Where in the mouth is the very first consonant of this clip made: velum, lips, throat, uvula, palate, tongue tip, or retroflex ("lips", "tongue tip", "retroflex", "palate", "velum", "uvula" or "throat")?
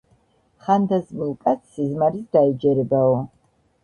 uvula